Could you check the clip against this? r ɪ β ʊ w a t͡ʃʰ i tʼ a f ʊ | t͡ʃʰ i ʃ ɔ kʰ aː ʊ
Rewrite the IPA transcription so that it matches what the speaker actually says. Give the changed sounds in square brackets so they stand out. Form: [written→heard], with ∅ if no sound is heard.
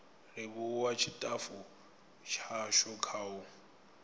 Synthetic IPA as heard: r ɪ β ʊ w a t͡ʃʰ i tʼ a f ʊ | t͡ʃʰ [i→a] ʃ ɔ kʰ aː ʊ